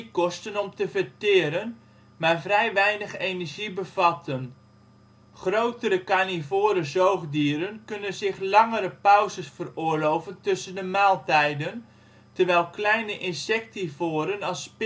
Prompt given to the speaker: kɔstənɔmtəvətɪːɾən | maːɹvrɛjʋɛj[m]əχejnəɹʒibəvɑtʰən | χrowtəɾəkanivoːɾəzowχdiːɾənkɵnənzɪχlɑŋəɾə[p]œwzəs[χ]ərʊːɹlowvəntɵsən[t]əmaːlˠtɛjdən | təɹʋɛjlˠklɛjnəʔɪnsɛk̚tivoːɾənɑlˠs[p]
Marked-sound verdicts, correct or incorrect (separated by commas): incorrect, correct, incorrect, incorrect, correct